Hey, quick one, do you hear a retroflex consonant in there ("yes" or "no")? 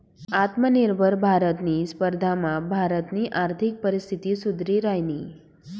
no